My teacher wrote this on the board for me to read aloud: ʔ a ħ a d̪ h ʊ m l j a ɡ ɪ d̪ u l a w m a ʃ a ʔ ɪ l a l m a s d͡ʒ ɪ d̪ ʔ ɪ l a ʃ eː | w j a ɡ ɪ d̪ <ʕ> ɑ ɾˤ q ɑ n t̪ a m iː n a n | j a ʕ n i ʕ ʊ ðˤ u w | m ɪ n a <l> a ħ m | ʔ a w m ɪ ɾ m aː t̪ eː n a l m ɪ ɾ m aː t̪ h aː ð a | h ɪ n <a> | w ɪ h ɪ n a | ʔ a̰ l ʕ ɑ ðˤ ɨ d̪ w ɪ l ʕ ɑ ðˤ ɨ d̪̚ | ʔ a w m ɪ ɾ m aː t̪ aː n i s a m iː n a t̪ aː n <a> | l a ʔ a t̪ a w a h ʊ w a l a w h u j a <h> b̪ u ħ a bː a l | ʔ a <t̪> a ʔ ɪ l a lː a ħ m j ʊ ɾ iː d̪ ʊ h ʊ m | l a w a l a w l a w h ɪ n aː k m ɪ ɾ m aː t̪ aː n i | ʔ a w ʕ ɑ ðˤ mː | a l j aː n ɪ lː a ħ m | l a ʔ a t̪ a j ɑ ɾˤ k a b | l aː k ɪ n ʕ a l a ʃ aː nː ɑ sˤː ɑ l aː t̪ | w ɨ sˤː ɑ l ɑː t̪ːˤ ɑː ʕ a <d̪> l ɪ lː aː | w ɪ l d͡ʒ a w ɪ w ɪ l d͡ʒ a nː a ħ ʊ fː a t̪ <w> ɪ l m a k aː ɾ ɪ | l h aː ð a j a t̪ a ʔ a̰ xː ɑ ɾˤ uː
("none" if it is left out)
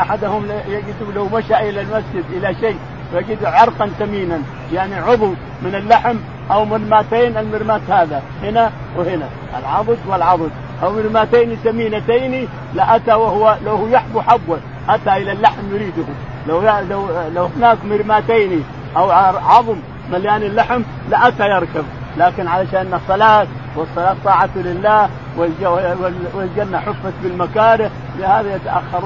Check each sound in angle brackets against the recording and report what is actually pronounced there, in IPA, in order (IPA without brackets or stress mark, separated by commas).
ʕ, lː, a, i, ħ, t̪, t̪, b